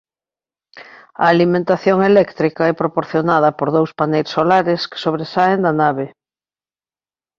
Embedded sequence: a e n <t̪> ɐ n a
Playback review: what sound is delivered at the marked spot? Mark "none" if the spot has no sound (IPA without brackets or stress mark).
d̪